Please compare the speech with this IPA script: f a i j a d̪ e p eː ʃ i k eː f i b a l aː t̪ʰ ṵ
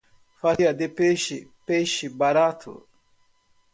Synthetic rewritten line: f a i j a d̪ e p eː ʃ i p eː ʃ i b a ɾ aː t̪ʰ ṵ